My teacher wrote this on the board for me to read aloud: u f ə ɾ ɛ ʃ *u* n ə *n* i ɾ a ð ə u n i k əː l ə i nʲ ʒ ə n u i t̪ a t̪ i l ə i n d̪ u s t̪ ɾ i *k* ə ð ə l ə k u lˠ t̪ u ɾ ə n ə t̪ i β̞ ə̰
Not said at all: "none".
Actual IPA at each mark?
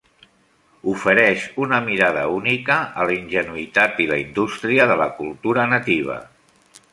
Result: u, m, none

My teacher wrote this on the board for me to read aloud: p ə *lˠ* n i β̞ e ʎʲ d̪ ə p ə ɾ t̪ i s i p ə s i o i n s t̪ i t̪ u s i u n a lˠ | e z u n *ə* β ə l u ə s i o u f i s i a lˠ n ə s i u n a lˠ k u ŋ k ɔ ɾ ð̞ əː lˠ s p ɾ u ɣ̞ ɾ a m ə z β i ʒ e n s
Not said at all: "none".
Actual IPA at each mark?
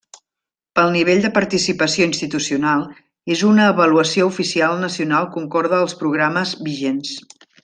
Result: lˠ, əː

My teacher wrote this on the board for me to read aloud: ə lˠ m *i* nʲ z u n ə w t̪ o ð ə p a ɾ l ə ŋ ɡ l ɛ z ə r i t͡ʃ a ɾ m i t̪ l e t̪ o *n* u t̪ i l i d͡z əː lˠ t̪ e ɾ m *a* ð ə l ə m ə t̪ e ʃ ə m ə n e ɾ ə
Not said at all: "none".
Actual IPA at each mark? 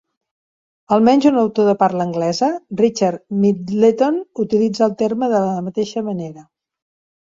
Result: ɛ, n, ə

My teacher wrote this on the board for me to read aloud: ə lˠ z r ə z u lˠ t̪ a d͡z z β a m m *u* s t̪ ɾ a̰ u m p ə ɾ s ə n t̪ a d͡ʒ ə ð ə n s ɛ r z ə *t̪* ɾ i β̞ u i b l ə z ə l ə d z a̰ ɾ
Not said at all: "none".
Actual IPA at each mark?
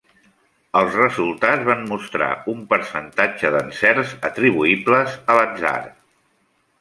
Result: u, t̪

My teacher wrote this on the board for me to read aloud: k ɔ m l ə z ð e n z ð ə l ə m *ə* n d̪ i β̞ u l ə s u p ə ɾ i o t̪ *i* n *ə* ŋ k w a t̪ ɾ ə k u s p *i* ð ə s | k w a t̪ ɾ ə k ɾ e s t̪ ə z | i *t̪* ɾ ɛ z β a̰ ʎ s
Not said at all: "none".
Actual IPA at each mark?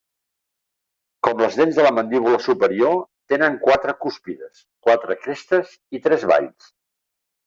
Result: ə, e, ə, i, t̪

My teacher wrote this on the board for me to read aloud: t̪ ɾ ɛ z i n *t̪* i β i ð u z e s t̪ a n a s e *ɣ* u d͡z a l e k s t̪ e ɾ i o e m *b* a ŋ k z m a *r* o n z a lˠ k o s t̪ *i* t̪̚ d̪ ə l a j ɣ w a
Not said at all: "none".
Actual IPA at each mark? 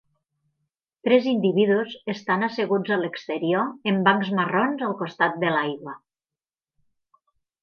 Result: d̪, ɣ, b, r, a

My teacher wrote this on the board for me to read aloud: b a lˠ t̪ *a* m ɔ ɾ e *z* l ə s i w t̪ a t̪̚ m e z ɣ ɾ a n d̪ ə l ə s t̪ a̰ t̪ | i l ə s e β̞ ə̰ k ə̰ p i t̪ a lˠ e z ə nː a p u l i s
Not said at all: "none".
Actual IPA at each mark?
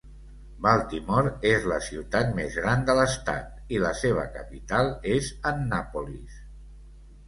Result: i, z

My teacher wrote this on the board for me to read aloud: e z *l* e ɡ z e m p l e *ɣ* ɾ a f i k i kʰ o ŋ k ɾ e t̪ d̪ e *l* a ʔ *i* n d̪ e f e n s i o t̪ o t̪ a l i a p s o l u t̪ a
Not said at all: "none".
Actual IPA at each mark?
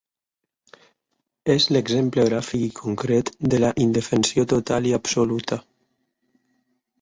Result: l, ɣ, l, i

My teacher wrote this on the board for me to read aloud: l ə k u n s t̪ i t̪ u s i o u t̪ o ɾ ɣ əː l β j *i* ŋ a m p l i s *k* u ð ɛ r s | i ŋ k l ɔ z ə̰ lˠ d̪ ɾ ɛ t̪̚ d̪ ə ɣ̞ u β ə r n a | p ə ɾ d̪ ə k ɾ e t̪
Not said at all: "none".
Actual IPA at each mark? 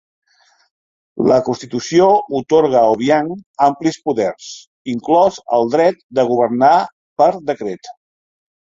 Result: a, p

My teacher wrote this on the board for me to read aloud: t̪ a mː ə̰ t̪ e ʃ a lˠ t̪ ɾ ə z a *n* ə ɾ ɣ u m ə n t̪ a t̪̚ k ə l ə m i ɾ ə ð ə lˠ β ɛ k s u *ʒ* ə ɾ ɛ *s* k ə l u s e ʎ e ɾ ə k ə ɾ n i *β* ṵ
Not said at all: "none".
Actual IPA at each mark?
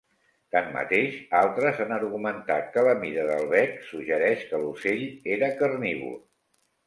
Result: n, ʒ, ʃ, β

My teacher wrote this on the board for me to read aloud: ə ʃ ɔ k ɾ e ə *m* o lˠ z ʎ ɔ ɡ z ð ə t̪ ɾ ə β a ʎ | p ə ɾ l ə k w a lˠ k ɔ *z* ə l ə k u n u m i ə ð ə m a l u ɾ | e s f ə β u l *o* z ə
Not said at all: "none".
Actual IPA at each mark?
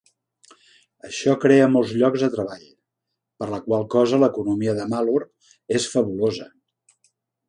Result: m, z, o

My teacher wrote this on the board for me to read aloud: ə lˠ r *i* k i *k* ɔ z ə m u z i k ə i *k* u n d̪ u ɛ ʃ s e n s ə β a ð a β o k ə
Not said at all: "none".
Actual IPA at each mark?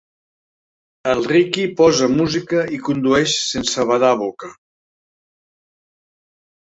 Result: i, p, k

